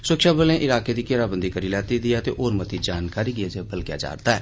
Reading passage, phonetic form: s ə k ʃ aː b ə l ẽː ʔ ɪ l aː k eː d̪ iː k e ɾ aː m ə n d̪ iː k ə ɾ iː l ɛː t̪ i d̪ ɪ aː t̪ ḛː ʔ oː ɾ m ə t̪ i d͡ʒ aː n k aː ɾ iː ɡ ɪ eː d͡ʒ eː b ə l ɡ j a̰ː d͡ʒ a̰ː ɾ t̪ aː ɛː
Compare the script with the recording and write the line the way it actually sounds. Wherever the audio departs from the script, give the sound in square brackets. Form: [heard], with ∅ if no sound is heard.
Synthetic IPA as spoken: s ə k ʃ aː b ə l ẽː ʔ ɪ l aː k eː d̪ iː k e ɾ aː [b] ə n d̪ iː k ə ɾ iː l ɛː t̪ i d̪ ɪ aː t̪ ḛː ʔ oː ɾ m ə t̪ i d͡ʒ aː n k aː ɾ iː ɡ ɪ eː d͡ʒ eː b ə l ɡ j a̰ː d͡ʒ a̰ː ɾ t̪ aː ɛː